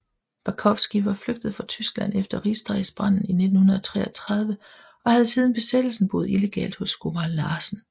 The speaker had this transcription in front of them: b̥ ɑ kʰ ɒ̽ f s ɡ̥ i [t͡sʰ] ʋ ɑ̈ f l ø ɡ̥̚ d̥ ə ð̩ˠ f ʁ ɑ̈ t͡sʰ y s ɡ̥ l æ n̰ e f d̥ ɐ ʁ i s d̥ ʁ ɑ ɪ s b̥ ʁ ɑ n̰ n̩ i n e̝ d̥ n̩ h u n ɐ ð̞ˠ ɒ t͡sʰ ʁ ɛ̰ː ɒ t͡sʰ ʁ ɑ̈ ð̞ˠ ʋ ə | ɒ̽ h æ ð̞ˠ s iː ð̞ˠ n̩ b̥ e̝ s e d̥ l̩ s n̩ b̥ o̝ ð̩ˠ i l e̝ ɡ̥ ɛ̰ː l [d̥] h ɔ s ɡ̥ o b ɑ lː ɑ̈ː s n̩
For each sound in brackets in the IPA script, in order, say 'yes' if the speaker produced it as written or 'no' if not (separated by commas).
no, yes